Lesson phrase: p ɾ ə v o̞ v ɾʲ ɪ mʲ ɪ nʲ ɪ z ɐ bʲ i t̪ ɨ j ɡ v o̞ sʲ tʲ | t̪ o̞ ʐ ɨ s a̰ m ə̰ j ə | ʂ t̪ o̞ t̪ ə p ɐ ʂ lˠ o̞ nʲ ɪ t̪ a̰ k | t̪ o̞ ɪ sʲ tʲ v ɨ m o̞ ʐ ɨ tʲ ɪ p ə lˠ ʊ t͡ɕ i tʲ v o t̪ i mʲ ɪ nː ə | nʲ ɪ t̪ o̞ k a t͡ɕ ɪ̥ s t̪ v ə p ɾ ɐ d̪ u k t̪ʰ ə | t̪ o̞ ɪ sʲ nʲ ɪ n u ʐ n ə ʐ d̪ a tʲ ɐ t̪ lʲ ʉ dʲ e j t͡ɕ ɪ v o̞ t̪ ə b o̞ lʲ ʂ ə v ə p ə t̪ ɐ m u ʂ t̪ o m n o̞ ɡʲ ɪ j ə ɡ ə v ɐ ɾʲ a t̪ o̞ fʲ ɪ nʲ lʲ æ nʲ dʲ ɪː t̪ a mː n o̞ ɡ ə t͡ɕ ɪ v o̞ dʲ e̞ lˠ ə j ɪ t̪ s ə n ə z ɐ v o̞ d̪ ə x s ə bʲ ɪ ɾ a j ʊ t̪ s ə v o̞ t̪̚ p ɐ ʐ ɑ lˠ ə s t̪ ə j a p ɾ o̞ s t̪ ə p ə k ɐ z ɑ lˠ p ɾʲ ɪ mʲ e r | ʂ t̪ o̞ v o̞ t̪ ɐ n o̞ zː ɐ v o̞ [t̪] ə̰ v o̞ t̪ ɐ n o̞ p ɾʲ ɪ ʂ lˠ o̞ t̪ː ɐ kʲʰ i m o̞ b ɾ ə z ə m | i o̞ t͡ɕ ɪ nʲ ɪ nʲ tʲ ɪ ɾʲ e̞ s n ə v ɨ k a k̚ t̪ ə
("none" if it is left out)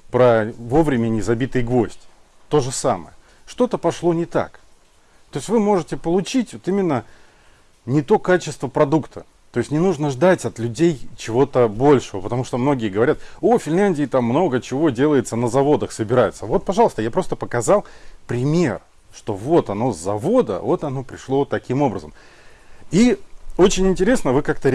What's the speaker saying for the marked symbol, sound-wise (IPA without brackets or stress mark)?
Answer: d̪